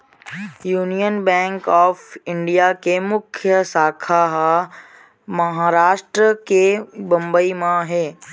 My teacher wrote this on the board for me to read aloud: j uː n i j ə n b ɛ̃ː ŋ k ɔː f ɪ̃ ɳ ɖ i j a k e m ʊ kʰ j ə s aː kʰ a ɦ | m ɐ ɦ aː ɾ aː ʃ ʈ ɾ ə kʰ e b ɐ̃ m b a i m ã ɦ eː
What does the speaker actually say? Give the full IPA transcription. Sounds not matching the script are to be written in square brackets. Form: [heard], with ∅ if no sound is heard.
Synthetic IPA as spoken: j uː n i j ə n b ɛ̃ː ŋ k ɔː f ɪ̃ ɳ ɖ i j a k e m ʊ kʰ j ə s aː kʰ a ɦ | m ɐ ɦ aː ɾ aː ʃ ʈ ɾ ə [k] e b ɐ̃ m b [ə] i m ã ɦ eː

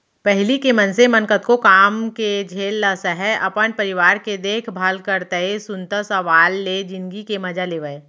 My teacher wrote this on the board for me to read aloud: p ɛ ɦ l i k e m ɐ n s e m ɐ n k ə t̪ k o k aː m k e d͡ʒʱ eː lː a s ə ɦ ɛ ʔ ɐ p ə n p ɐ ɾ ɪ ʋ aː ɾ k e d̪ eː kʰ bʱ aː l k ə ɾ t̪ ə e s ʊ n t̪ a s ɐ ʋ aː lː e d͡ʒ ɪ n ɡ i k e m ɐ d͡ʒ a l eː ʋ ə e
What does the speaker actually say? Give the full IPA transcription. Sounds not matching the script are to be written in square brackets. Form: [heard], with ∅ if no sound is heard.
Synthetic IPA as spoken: p ɛ ɦ l i k e m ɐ n s e m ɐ n k ə t̪ k o k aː m k e d͡ʒʱ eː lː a s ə ɦ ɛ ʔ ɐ p ə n p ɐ ɾ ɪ ʋ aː ɾ k e d̪ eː kʰ bʱ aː l k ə ɾ t̪ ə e s ʊ n t̪ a s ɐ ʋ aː lː e d͡ʒ ɪ n ɡ i k e m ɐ d͡ʒ a l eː ʋ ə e

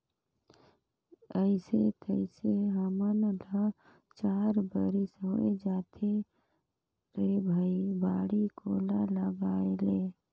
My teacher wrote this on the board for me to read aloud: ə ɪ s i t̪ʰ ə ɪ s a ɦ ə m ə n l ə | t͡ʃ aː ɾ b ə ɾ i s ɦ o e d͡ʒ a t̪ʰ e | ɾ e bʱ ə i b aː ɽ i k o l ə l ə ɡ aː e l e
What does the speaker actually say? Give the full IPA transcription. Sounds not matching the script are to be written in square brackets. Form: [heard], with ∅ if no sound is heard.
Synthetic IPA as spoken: ə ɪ s [e] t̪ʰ ə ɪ s [e] ɦ ə m ə n l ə | t͡ʃ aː ɾ b ə ɾ i s ɦ o e d͡ʒ a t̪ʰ e | ɾ e bʱ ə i b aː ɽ i k o l [a] l ə ɡ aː e l e

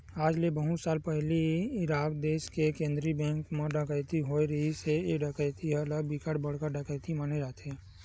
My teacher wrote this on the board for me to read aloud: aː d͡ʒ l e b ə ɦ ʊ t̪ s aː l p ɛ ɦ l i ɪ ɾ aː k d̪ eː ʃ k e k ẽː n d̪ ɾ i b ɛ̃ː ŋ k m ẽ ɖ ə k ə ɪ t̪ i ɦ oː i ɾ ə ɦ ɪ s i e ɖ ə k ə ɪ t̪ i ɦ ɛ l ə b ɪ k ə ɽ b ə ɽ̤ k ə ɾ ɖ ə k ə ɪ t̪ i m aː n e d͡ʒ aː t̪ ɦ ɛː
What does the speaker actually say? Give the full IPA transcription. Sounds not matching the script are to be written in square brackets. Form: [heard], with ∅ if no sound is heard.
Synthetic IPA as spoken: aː d͡ʒ l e b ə ɦ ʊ t̪ s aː l p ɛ ɦ l i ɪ ɾ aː k d̪ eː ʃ k e k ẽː n d̪ ɾ i b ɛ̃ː ŋ k m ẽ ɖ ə k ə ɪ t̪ i ɦ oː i ɾ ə ɦ [i] s [e] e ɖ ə k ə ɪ t̪ i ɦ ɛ l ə b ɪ k ə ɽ b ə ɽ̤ k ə ɾ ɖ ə k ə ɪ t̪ i m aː n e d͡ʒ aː t̪ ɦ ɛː

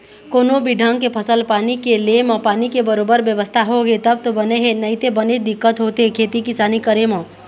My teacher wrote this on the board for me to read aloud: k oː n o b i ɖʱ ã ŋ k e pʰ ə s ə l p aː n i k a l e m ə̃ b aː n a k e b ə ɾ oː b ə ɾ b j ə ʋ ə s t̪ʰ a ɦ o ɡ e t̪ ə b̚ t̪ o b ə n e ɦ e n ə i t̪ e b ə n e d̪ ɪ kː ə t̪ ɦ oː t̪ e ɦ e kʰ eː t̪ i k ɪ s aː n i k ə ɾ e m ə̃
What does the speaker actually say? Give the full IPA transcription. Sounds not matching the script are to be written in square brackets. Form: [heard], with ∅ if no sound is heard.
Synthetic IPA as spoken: k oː n o b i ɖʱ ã ŋ k e pʰ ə s ə l p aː n i k [e] l e m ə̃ [p] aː n [i] k e b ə ɾ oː b ə ɾ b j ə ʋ ə s t̪ʰ a ɦ o ɡ e t̪ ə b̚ t̪ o b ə n e ɦ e n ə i t̪ e b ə n e d̪ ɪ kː ə t̪ ɦ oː t̪ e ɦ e kʰ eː t̪ i k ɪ s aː n i k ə ɾ e m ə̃

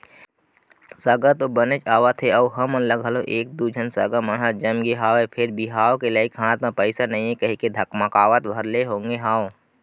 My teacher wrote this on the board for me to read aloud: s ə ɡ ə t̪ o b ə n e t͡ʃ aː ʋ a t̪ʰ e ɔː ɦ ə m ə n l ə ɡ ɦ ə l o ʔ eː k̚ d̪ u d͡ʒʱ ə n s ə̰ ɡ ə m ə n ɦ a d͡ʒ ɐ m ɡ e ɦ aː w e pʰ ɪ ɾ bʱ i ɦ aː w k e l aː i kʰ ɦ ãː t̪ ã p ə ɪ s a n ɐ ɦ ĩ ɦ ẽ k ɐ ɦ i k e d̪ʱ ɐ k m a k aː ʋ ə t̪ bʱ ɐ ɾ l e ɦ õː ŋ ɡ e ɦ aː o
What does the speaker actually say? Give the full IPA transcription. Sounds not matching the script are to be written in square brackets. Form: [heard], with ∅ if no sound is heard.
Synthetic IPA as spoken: s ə ɡ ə t̪ o b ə n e t͡ʃ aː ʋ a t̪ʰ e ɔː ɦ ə m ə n l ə ɡ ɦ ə l o ʔ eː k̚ d̪ u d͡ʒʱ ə n s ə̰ ɡ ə m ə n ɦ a d͡ʒ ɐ m ɡ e ɦ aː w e pʰ ɪ ɾ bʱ i ɦ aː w k e l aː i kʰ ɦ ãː t̪ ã p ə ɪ s a n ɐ ɦ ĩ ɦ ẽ k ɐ ɦ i k e d̪ʱ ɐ k m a k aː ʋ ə t̪ bʱ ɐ ɾ l e ɦ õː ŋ ɡ e ɦ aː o

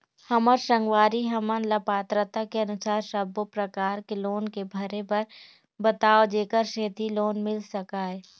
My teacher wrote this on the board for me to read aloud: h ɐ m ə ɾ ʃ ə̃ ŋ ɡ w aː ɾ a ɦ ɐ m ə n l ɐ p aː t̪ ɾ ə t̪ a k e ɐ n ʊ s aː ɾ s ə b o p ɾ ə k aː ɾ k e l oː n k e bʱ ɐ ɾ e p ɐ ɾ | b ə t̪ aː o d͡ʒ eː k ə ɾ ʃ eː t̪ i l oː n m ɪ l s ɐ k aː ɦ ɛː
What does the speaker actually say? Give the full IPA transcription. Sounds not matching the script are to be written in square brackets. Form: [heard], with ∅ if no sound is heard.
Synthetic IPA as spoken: h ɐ m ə ɾ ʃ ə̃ ŋ ɡ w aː ɾ [i] ɦ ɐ m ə n l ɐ p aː t̪ ɾ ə t̪ a k e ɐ n ʊ s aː ɾ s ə b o p ɾ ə k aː ɾ k e l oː n k e bʱ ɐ ɾ e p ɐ ɾ | b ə t̪ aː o d͡ʒ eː k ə ɾ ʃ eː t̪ i l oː n m ɪ l s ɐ k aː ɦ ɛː

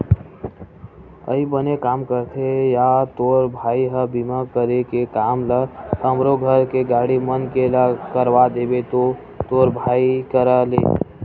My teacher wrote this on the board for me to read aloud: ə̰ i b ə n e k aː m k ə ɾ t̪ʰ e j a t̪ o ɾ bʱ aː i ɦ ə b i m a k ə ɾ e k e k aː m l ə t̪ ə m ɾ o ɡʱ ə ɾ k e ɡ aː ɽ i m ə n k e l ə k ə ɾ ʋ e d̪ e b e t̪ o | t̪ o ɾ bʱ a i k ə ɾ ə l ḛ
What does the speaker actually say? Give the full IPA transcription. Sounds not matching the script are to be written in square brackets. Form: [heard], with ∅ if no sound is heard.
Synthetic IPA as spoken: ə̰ i b ə n e k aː m k ə ɾ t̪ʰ e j a t̪ o ɾ bʱ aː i ɦ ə b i m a k ə ɾ e k e k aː m l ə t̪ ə m ɾ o ɡʱ ə ɾ k e ɡ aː ɽ i m ə n k e l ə k ə ɾ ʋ [a] d̪ e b e t̪ o | t̪ o ɾ bʱ a i k ə ɾ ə l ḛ

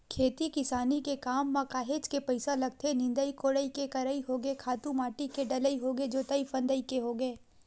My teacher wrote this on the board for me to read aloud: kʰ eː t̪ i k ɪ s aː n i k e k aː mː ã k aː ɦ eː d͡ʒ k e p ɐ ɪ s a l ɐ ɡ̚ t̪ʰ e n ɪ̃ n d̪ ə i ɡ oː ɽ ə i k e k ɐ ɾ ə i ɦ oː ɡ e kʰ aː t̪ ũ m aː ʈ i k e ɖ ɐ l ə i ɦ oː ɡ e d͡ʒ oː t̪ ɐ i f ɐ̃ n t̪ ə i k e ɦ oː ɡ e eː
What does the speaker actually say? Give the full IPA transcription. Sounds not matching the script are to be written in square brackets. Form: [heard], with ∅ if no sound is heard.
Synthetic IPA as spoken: kʰ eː t̪ i k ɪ s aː n i k e k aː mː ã k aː ɦ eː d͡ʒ k e p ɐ ɪ s a l ɐ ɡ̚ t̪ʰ e n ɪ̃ n d̪ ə i [k] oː ɽ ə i k e k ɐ ɾ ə i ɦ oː ɡ e kʰ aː t̪ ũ m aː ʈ i k e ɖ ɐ l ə i ɦ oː ɡ e d͡ʒ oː t̪ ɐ i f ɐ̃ n [d̪] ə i k e ɦ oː ɡ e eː

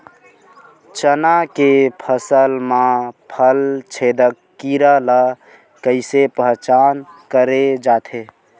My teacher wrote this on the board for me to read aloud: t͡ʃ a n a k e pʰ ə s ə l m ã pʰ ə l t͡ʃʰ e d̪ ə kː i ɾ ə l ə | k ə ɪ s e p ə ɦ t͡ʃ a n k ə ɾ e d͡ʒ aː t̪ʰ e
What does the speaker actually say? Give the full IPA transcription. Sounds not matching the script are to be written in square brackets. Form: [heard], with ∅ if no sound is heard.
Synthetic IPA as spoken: t͡ʃ [ə] n a k e pʰ ə s ə l m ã pʰ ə l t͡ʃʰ e d̪ ə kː i ɾ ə l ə | k ə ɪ s e p ə ɦ t͡ʃ a n k ə ɾ e d͡ʒ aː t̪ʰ e

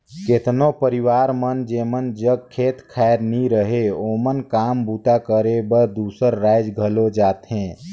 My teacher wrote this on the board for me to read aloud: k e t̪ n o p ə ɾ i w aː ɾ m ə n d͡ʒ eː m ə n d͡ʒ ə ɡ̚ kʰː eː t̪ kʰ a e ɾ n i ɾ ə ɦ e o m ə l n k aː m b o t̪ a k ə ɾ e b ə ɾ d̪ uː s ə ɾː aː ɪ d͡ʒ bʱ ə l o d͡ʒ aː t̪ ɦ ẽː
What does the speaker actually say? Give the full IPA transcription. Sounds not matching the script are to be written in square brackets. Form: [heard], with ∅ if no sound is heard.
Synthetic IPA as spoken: k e t̪ n o p ə ɾ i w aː ɾ m ə n d͡ʒ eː m ə n d͡ʒ ə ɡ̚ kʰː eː t̪ kʰ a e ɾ n i ɾ ə ɦ e o m ə [∅] n k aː m b [u] t̪ a k ə ɾ e b ə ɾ d̪ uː s ə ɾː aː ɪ d͡ʒ [ɡʱ] ə l o d͡ʒ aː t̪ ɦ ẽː

